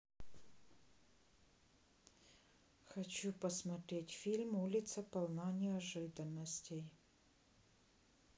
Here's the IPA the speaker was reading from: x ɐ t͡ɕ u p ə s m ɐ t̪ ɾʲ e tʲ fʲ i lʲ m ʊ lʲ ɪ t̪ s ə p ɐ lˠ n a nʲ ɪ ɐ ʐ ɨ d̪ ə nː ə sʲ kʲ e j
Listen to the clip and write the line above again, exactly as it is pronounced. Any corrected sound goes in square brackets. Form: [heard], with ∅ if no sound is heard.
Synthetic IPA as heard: x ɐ t͡ɕ u p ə s m ɐ t̪ ɾʲ e tʲ fʲ i lʲ m [u] lʲ ɪ t̪ s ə p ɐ lˠ n a nʲ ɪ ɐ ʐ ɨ d̪ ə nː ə sʲ [tʲ] e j